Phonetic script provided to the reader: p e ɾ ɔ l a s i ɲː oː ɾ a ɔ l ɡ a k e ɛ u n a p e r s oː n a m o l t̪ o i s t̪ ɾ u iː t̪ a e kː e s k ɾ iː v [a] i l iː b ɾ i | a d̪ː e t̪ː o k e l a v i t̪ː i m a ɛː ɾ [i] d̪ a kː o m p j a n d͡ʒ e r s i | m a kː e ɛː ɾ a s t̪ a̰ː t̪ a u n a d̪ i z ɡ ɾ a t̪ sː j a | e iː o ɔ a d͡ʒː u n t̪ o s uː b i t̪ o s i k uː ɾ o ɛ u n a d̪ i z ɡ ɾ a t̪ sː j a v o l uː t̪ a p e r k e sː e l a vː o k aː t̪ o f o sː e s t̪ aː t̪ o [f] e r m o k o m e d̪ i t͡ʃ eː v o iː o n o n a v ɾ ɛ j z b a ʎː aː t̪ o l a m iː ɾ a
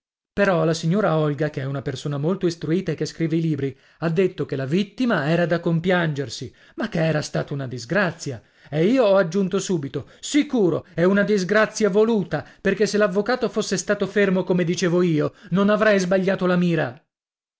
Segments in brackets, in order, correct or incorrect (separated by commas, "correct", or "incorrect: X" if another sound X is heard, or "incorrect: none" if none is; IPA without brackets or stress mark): incorrect: e, incorrect: a, correct